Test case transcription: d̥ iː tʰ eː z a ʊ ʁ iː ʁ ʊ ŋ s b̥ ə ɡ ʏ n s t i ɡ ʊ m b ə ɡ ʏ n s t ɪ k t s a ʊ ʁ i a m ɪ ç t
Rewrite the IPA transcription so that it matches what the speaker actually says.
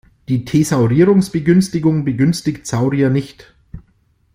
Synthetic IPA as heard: d̥ iː tʰ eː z a ʊ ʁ iː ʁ ʊ ŋ s b̥ ə ɡ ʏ n s t ɪ ɡ ʊ ŋ b ə ɡ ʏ n s t ɪ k t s a ʊ ʁ i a n ɪ ç t